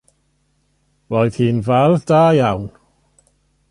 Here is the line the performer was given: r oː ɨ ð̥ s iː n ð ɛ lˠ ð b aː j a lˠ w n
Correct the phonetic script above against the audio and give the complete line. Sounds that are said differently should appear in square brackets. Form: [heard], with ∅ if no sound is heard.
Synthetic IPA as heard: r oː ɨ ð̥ [h] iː n [v] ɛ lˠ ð [d] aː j a [∅] w n